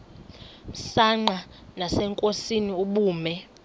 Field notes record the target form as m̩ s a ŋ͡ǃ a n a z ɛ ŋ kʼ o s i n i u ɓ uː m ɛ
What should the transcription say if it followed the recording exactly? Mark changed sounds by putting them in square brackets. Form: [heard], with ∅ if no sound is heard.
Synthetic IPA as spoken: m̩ s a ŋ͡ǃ a n a [s] ɛ ŋ kʼ o s i n i u ɓ uː m ɛ